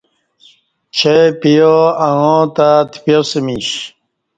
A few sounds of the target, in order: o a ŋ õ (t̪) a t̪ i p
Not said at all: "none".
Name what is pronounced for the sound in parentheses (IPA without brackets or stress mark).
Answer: t̪